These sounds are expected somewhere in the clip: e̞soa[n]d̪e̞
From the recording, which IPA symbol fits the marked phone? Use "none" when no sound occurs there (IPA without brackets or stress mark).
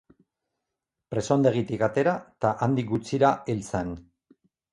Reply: n